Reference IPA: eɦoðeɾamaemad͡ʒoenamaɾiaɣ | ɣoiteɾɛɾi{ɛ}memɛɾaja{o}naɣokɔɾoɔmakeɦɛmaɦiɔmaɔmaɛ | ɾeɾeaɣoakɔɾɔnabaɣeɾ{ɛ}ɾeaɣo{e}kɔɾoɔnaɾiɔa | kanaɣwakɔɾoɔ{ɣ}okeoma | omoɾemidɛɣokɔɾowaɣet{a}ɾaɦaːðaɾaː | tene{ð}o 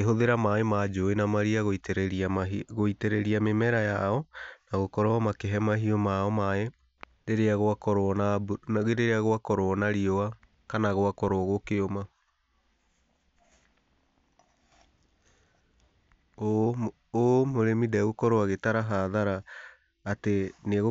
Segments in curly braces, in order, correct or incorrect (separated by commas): incorrect, incorrect, incorrect, incorrect, correct, correct, incorrect